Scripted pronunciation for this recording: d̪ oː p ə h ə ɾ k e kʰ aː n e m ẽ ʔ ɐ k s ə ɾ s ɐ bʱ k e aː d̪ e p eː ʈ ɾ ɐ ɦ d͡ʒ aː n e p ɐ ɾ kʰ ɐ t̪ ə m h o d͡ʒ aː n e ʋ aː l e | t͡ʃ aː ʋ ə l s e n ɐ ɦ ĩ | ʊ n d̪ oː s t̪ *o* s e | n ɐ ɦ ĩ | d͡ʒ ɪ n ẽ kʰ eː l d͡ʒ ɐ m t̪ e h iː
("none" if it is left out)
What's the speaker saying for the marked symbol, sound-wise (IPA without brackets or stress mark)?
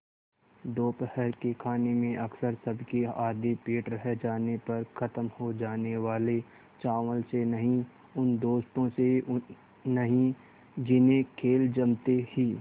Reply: õ